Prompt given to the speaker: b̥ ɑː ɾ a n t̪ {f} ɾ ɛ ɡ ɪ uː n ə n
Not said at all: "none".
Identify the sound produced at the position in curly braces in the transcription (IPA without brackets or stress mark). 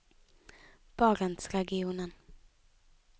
s